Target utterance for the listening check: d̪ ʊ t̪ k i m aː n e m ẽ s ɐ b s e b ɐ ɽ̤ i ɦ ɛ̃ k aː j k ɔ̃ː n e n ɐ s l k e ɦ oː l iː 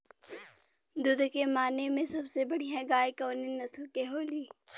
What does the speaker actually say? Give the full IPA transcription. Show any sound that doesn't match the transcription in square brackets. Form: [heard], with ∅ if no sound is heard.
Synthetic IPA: d̪ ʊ [d̪] k [e] m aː n e m ẽ s ɐ b s e b ɐ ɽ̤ i ɦ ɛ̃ [ɡ] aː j k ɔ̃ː n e n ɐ s l k e ɦ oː l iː

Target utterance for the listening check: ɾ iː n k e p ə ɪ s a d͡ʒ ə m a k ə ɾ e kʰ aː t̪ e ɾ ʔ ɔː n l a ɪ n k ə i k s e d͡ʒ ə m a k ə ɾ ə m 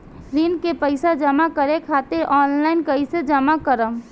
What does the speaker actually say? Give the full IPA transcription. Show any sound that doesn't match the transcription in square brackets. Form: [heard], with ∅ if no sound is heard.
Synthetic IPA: ɾ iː n k e p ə ɪ s a d͡ʒ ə m a k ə ɾ e kʰ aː t̪ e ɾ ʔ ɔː n l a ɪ n k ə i [∅] s e d͡ʒ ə m a k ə ɾ ə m

